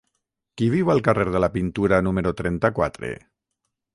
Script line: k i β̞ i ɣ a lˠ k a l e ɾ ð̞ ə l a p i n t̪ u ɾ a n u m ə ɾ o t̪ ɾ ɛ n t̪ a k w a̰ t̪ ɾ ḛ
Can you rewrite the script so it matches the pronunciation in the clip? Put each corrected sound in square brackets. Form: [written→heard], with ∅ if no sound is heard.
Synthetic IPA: k i β̞ i [ɣ→w] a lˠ k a [l→r] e ɾ ð̞ ə l a p i n t̪ u ɾ a n u m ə ɾ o t̪ ɾ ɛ n t̪ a k w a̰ t̪ ɾ ḛ